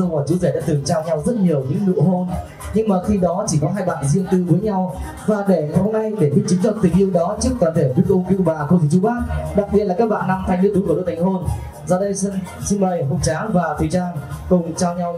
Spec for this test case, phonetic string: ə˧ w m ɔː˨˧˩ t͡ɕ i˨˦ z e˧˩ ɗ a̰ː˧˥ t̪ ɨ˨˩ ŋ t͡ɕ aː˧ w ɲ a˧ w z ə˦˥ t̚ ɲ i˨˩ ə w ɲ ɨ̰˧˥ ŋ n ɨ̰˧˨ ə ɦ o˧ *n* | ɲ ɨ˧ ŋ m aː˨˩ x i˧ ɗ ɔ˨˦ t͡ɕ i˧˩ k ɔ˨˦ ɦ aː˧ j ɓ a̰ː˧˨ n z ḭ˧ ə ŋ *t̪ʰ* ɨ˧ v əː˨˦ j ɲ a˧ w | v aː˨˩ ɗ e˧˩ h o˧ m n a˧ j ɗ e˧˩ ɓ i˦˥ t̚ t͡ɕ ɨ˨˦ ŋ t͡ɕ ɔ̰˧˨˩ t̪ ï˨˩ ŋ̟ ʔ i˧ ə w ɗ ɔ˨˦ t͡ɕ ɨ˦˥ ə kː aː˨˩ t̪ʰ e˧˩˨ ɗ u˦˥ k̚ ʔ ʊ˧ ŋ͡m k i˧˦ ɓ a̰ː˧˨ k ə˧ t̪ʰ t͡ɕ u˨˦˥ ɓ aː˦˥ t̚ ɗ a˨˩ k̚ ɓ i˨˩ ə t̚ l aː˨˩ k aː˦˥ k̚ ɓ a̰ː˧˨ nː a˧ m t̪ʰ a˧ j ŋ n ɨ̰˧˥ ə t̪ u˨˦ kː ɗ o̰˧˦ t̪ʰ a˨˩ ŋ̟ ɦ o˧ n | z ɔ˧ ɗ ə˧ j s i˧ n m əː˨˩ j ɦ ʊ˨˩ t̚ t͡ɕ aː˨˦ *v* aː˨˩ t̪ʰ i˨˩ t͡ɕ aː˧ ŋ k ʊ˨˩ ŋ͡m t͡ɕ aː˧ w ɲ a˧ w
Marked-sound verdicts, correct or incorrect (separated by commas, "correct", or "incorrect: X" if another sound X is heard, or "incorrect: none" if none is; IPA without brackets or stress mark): correct, incorrect: t̪, correct